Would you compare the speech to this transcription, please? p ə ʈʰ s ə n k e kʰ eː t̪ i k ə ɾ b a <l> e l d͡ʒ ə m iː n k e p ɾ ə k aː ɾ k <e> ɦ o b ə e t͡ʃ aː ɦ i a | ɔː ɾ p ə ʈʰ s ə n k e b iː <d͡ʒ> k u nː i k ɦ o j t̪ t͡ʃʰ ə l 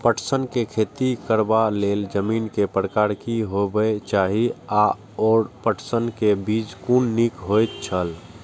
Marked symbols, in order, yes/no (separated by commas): yes, no, yes